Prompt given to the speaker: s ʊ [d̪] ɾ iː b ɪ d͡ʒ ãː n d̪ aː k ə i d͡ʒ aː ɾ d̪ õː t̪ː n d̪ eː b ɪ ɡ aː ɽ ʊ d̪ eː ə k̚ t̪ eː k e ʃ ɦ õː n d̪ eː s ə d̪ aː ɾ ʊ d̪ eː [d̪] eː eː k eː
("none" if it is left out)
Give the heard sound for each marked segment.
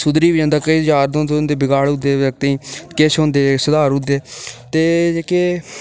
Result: d̪, t̪

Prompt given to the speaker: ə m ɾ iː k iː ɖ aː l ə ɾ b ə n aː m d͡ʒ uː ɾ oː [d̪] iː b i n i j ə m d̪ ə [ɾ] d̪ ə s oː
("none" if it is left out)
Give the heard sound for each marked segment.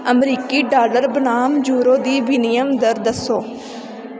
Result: d̪, ɾ

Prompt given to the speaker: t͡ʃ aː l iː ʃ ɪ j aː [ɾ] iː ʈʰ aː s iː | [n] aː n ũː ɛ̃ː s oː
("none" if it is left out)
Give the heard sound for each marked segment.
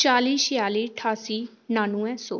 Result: l, n

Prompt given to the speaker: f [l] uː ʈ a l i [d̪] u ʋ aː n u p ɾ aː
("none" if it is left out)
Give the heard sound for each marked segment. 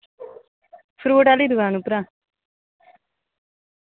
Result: ɾ, d̪

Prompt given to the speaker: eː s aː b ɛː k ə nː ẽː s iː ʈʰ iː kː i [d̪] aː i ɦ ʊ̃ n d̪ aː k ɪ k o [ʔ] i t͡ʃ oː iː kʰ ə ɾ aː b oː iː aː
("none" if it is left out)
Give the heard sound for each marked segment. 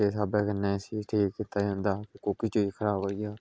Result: t̪, k

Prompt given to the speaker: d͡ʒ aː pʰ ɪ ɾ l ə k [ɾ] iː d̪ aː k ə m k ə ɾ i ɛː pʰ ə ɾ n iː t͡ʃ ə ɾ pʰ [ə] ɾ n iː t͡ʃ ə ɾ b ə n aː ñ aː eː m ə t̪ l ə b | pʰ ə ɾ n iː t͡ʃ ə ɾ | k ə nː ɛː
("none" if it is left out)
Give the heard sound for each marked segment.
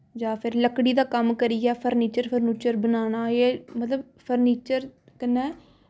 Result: ɽ, ə

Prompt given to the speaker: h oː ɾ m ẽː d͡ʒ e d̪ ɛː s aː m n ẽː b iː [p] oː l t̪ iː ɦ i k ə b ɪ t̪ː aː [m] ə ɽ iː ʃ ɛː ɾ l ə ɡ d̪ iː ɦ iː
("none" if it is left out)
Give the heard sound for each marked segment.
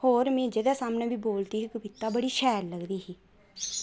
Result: b, b

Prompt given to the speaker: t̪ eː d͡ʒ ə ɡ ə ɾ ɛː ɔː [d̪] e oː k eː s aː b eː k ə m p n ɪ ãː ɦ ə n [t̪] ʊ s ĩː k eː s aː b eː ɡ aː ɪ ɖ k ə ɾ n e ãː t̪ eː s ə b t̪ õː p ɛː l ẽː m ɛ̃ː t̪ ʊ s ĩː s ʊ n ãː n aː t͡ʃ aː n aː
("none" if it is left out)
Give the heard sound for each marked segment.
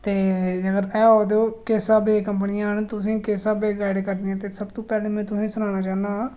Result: d̪, t̪

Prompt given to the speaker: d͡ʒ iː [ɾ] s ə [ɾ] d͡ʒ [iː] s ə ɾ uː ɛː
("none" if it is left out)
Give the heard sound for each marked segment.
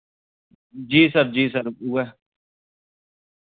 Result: none, ɾ, iː

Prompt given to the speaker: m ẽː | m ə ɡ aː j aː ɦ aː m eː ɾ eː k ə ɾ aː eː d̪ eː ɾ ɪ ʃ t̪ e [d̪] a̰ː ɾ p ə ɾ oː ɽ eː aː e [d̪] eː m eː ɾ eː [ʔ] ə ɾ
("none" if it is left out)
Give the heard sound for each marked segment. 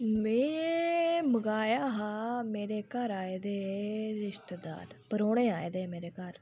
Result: d̪, d̪, k

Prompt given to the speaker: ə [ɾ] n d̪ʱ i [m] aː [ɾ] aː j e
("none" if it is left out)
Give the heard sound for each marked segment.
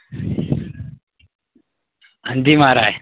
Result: none, m, ɾ

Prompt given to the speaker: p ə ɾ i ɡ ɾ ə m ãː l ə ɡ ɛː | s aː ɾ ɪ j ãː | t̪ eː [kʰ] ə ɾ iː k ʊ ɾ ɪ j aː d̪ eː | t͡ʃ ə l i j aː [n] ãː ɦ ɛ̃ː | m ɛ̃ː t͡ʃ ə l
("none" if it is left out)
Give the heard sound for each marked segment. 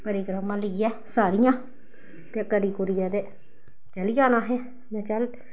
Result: k, n

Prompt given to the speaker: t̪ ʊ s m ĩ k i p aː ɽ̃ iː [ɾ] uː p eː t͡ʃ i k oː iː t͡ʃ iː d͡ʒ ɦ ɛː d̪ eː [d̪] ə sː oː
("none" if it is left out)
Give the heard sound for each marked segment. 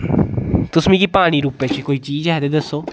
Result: ɾ, d̪

